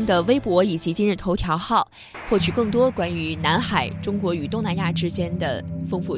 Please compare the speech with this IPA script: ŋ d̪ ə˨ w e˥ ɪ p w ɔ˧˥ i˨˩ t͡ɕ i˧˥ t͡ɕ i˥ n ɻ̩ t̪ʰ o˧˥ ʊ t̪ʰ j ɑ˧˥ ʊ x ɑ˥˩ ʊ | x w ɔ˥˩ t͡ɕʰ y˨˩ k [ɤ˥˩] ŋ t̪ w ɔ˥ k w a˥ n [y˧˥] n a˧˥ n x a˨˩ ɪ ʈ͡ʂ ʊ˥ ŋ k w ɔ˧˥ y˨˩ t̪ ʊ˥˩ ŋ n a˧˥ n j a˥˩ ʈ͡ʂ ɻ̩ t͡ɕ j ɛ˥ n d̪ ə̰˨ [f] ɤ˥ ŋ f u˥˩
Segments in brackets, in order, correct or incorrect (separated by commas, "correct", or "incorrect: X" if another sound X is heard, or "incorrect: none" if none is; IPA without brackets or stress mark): correct, correct, correct